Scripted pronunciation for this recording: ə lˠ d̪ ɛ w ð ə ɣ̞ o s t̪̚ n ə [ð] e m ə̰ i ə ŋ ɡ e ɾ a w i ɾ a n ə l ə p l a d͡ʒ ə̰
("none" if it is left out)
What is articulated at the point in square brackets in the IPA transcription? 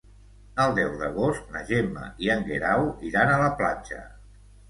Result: ʒ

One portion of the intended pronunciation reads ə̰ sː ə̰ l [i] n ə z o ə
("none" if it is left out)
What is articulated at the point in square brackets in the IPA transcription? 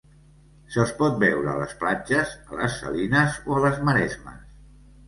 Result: i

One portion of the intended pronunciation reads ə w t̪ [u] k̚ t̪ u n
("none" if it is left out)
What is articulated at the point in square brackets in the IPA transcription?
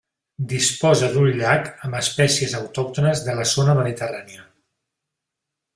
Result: ɔ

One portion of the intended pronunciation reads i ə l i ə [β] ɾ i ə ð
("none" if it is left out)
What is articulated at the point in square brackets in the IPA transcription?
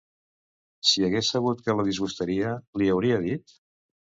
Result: w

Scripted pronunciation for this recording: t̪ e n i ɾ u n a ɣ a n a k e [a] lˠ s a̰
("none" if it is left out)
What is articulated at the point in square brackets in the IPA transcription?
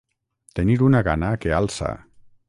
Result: a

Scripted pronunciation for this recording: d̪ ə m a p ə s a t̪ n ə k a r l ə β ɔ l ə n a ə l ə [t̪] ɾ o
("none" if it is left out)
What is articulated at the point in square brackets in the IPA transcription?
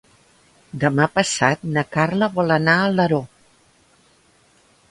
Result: none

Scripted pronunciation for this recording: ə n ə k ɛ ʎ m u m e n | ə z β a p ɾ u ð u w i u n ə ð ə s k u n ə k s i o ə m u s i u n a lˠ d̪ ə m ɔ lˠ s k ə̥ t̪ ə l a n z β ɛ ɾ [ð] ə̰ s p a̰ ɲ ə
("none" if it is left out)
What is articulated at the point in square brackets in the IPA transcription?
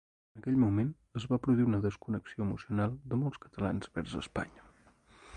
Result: z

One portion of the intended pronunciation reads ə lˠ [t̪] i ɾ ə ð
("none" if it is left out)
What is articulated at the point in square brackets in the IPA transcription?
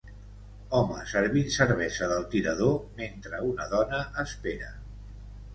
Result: t̪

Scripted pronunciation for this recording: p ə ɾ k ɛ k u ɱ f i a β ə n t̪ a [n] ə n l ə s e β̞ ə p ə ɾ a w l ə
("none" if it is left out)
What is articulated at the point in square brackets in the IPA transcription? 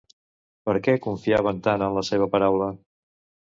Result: n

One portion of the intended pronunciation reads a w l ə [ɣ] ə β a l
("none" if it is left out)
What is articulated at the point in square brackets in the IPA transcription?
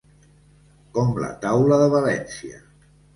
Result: ð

